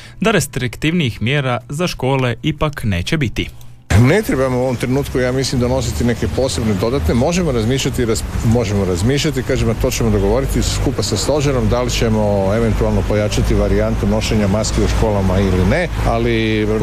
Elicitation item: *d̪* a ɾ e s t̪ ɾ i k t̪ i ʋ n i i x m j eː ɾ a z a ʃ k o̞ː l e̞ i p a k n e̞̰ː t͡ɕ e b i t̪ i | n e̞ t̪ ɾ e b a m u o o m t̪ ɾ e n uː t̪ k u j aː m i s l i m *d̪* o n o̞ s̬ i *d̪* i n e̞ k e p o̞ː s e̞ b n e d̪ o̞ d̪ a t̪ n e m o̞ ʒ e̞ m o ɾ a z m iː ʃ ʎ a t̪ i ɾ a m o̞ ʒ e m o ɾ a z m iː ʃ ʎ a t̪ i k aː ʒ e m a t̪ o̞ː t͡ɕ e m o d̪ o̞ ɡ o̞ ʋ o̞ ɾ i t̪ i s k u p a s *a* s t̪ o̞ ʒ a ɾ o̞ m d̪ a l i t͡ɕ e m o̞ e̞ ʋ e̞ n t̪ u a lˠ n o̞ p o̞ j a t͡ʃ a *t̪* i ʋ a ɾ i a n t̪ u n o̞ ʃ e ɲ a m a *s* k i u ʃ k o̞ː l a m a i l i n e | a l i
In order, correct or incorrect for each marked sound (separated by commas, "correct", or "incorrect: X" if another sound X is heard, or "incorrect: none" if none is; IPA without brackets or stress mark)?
correct, correct, incorrect: t̪, correct, correct, correct